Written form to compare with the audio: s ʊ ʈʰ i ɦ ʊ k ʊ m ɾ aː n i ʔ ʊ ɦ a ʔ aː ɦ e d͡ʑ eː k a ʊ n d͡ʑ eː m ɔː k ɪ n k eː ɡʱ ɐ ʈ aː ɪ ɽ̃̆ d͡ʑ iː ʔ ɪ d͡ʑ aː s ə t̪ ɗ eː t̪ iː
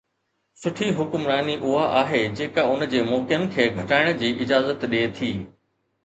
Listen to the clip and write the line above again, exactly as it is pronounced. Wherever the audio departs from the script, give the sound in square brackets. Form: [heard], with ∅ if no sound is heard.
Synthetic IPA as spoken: s ʊ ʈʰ i ɦ ʊ k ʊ m ɾ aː n i ʔ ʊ ɦ a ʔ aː ɦ e d͡ʑ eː k a ʊ n d͡ʑ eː m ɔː k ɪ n [kʰ] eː ɡʱ ɐ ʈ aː ɪ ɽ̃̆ d͡ʑ iː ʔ ɪ d͡ʑ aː [z] ə t̪ ɗ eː [t̪ʰ] iː